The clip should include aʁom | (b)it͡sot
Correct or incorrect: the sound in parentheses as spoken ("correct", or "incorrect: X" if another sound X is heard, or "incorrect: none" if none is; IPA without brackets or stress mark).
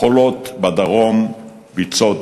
correct